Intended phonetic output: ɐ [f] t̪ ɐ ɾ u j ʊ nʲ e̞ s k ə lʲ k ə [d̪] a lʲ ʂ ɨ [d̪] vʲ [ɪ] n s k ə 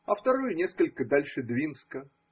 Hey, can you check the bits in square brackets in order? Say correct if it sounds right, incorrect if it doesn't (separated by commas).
correct, correct, correct, incorrect